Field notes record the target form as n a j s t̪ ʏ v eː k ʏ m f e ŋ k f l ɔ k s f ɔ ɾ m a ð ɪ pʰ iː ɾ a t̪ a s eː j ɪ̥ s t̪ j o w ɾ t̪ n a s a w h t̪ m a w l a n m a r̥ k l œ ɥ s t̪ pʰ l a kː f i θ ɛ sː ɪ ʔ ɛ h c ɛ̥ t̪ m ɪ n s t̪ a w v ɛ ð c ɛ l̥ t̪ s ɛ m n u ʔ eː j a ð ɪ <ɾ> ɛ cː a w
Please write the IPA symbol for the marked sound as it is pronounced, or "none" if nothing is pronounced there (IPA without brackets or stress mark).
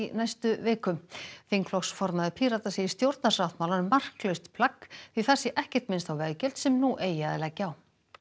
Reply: l